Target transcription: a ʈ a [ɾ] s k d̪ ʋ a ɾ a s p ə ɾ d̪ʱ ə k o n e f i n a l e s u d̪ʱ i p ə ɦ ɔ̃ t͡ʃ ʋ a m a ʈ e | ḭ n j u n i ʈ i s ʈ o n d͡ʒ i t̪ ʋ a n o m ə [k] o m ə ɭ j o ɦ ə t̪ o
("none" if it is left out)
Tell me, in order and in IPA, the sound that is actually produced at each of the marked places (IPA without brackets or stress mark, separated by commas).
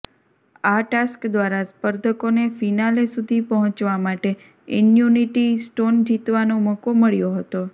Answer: none, k